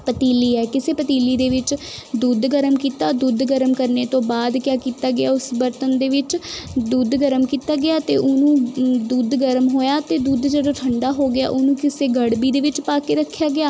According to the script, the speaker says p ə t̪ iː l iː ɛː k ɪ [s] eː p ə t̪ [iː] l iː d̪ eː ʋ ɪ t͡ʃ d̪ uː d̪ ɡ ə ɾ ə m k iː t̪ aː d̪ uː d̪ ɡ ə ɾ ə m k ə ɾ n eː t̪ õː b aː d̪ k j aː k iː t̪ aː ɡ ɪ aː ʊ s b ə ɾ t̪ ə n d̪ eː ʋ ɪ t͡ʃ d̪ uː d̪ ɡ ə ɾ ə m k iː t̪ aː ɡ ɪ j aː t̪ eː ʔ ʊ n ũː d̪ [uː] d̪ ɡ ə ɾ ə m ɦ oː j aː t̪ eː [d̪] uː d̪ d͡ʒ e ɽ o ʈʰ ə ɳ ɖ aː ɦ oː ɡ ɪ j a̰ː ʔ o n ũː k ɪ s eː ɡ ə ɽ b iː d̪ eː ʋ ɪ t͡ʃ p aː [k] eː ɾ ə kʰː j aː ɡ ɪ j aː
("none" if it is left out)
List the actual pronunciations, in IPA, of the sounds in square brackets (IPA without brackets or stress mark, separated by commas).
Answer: s, iː, uː, d̪, k